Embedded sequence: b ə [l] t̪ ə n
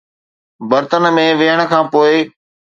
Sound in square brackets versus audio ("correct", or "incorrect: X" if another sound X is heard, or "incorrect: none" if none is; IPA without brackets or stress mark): incorrect: ɾ